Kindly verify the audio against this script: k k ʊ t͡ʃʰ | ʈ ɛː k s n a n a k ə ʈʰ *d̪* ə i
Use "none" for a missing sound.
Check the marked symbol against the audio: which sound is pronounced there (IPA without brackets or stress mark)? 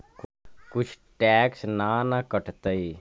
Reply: t̪